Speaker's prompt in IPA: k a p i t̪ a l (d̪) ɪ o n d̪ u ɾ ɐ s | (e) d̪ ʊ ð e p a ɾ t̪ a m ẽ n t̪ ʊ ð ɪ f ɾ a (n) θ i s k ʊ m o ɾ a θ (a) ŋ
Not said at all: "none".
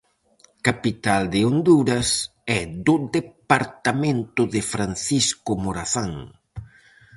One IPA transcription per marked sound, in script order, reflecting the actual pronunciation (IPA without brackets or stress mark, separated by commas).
d̪, ɛ, n, a